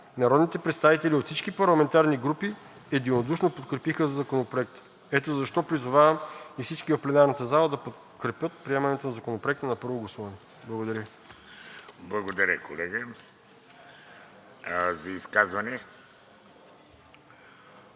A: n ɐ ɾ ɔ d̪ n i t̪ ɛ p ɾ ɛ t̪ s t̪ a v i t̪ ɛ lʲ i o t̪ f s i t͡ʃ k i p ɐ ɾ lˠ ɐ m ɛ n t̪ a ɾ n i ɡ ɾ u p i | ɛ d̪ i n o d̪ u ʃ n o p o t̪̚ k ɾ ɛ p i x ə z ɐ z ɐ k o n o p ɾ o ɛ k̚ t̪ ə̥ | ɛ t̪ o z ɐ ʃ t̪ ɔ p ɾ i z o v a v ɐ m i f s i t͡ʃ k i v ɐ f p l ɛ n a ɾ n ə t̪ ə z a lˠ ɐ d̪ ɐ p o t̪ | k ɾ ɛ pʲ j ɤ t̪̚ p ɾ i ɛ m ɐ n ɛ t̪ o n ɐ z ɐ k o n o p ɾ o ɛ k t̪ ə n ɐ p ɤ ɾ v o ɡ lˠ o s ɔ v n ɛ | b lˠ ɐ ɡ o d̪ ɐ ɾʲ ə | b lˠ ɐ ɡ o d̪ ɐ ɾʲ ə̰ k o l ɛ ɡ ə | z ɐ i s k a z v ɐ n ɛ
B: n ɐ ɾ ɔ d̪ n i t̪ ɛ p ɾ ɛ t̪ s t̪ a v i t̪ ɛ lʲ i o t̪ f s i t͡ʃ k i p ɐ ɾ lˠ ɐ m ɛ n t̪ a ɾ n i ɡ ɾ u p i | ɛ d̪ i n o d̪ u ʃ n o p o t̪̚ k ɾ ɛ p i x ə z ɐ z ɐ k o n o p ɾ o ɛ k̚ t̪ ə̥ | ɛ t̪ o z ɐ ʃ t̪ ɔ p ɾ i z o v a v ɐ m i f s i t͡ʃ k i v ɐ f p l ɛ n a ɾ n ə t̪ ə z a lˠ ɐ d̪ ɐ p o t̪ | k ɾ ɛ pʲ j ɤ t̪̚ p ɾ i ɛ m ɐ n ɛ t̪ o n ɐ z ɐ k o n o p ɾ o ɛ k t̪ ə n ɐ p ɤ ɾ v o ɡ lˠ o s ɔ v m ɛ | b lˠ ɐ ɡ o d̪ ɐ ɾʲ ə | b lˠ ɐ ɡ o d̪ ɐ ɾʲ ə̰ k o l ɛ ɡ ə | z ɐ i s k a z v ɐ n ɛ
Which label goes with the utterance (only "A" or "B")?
A